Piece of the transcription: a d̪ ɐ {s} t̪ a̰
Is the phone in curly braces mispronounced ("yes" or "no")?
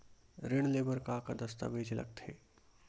no